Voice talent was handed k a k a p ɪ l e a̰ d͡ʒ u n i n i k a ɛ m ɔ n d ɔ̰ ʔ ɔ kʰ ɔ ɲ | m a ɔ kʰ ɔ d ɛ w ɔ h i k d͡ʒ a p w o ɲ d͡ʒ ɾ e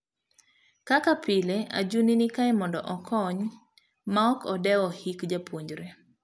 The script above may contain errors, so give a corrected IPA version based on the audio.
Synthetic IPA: k a k a p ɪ l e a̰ d͡ʒ u n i n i k a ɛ m ɔ n d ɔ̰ ʔ ɔ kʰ ɔ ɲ | m a ɔ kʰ ɔ d ɛ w ɔ h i k d͡ʒ a p w o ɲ d͡ʒ ɾ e